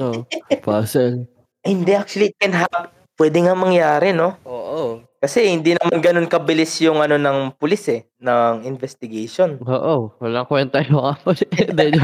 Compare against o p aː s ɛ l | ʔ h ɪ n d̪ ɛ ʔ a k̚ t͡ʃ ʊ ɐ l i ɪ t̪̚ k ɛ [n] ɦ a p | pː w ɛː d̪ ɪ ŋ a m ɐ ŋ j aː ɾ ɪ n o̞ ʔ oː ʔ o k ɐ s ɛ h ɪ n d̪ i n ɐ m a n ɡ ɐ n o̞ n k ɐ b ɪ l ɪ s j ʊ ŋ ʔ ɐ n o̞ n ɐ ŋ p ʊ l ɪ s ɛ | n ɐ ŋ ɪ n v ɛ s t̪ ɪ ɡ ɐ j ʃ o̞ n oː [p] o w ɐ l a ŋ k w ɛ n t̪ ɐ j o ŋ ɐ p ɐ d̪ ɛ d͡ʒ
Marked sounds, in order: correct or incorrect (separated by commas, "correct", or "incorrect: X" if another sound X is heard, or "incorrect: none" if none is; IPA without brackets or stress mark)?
correct, incorrect: ʔ